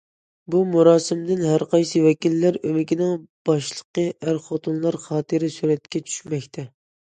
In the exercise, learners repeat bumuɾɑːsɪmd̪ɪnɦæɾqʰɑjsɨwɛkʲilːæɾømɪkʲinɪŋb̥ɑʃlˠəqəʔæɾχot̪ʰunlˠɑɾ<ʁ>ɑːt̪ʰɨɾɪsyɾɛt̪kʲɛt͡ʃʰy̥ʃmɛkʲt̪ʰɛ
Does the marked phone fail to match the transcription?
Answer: yes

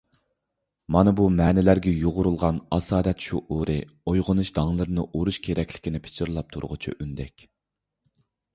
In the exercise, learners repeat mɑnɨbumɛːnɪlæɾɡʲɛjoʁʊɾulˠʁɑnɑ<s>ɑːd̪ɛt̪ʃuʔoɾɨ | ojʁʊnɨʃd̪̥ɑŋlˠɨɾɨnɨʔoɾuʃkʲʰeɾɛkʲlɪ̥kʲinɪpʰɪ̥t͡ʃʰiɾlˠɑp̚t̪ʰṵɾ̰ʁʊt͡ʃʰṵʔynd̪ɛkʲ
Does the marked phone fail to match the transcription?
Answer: no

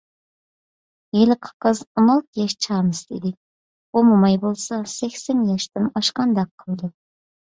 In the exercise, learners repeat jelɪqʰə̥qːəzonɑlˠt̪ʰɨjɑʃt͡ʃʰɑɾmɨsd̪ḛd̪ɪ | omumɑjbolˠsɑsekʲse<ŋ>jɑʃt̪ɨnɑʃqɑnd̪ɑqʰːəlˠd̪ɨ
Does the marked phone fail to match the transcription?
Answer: yes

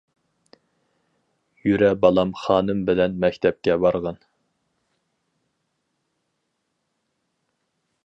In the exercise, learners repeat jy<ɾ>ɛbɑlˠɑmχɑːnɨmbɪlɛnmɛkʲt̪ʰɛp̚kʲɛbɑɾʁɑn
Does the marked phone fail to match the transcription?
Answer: no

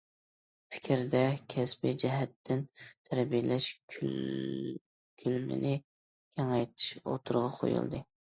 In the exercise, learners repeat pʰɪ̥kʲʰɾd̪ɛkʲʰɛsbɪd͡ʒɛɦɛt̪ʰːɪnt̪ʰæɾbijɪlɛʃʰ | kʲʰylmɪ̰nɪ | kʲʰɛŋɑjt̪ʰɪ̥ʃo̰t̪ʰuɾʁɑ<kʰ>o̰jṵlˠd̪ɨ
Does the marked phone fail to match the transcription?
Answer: yes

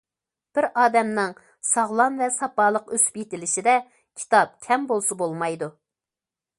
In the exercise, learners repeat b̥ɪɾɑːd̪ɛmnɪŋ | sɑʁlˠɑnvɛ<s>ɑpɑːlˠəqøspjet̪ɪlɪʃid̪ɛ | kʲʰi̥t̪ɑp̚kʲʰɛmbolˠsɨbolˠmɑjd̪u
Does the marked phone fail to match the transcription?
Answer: no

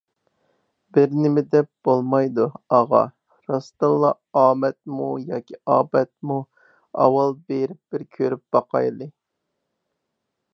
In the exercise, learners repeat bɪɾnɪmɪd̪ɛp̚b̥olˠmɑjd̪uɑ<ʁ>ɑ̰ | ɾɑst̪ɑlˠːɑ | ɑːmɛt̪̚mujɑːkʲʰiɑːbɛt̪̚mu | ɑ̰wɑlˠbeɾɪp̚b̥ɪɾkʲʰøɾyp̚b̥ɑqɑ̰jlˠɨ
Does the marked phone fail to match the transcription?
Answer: no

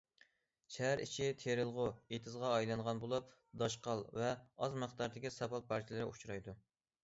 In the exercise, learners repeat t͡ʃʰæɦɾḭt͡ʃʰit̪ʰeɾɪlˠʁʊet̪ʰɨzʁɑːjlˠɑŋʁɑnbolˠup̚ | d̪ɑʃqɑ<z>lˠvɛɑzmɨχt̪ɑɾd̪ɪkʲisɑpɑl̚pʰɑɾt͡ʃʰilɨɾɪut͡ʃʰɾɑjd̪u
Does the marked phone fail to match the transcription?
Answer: yes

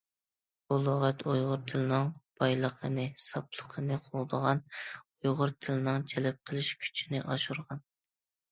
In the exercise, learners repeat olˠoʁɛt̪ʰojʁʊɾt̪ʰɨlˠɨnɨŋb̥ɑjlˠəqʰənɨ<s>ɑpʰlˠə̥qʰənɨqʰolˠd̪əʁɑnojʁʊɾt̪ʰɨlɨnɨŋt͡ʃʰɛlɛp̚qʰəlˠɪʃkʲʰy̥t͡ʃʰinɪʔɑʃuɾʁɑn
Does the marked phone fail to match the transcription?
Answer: no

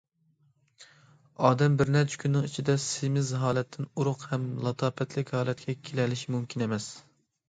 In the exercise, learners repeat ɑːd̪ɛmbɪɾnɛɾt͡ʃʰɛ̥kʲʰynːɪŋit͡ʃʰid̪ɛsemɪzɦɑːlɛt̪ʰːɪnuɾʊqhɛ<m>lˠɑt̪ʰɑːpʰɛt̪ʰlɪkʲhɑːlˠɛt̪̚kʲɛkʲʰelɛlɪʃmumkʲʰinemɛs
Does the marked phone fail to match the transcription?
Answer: no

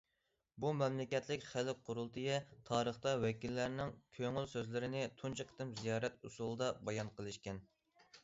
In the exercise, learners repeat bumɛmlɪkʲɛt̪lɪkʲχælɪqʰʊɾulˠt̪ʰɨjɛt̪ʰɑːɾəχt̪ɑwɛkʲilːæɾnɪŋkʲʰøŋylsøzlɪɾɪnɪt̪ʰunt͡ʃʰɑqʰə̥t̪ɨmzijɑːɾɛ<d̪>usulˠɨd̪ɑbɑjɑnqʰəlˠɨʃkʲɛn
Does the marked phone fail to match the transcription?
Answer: yes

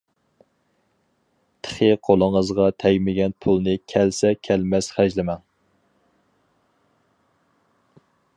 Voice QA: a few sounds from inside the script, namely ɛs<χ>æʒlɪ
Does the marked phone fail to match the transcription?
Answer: no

